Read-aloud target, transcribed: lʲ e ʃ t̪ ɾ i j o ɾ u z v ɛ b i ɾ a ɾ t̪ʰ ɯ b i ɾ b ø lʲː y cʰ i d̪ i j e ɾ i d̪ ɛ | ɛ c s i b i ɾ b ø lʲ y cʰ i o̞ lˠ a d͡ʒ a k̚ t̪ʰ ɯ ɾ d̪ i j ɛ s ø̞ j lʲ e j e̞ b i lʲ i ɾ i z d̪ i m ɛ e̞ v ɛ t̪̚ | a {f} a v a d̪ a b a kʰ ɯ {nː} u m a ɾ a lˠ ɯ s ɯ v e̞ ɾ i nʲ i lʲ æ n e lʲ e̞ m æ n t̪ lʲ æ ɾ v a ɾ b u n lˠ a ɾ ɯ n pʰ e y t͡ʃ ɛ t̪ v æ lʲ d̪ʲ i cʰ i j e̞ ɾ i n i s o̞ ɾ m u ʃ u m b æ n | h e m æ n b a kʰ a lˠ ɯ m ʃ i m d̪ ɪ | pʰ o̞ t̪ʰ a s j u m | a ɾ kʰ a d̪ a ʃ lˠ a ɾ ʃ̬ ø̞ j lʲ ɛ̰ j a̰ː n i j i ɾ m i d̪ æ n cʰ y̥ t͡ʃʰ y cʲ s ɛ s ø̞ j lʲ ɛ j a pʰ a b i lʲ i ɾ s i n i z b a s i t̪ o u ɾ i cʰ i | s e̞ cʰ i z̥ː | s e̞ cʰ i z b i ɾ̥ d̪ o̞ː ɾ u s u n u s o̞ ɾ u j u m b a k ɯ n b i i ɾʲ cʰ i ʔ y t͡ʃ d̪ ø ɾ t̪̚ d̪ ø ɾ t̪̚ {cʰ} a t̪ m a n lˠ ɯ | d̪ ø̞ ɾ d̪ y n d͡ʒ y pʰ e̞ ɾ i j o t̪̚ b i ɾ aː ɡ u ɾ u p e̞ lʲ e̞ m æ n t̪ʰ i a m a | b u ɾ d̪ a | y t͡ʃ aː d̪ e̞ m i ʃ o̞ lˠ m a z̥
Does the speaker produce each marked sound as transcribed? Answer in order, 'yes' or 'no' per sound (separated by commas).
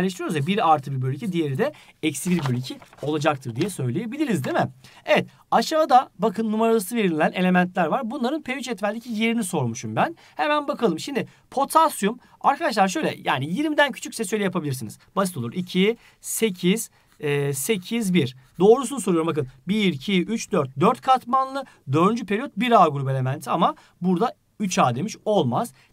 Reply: no, yes, no